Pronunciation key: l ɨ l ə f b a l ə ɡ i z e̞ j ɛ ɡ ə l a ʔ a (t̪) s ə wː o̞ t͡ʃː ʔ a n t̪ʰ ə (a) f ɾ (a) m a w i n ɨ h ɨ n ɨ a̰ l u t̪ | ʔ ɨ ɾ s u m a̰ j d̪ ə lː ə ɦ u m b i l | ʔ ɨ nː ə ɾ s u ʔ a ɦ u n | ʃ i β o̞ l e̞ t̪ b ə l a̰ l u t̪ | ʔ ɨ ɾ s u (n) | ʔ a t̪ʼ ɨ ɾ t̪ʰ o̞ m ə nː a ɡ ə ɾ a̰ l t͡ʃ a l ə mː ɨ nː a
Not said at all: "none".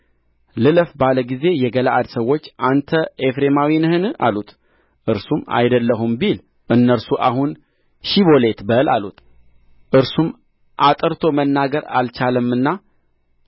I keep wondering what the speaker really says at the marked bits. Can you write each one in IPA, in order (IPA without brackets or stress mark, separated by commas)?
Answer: d̪, e, e, m